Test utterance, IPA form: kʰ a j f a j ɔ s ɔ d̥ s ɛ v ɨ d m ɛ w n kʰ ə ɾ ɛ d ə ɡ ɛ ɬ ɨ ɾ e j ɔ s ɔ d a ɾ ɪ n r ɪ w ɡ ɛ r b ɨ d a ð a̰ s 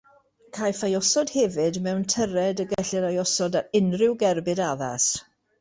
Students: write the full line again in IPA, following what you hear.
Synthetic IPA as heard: kʰ a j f a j ɔ s ɔ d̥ h ɛ v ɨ d m ɛ w n tʰ ə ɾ ɛ d ə ɡ ɛ ɬ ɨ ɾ a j ɔ s ɔ d a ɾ ɪ n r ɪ w ɡ ɛ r b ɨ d a ð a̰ s

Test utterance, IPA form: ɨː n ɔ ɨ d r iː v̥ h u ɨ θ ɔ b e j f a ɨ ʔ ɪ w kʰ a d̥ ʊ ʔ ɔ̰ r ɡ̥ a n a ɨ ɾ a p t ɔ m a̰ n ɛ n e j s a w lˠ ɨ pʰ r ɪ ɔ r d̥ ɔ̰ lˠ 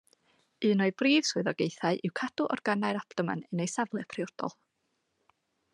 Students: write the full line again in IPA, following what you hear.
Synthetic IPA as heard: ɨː n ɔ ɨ b r iː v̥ s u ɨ ð ɔ ɡ e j θ a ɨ ʔ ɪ w kʰ a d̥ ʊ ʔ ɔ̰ r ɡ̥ a n a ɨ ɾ a p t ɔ m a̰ n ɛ n e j s a v lˠ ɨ pʰ r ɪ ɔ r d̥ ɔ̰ lˠ

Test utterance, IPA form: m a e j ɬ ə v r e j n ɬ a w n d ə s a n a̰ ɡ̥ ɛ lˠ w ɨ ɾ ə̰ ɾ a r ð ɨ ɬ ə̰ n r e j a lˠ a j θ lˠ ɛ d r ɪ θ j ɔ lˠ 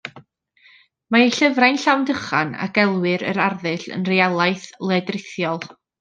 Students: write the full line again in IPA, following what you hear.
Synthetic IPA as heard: m a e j ɬ ə v r a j n ɬ a w n d ə χ a n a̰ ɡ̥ ɛ lˠ w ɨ ɾ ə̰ ɾ a r ð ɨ ɬ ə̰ n r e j a lˠ a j θ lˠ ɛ d r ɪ θ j ɔ lˠ

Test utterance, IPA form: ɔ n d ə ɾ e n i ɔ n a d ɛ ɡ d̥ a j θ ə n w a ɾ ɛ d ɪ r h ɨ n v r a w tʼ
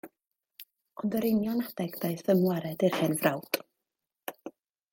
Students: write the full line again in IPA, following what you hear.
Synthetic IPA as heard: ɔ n d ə ɾ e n j ɔ n a d ɛ ɡ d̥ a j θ ə m w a ɾ ɛ d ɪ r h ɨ n v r a w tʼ

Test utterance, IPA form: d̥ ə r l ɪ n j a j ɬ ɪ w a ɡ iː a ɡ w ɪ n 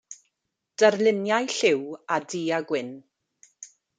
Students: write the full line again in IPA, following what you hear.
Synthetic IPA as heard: d̥ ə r l ɪ n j a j ɬ ɪ w a d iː a ɡ w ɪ n

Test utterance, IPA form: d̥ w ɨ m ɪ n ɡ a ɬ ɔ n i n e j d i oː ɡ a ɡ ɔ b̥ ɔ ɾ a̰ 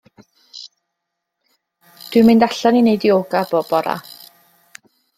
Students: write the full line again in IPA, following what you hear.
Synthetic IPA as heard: d̥ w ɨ m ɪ n d a ɬ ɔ n i n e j d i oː ɡ a b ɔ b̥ ɔ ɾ a̰

